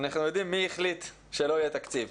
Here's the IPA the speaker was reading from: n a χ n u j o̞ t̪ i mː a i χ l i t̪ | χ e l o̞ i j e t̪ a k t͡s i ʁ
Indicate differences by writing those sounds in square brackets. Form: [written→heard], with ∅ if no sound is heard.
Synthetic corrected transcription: n a χ n u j o̞ [t̪→d̪] i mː [a→i] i χ l i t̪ | [χ→ʃ] e l o̞ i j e t̪ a k t͡s i [ʁ→v]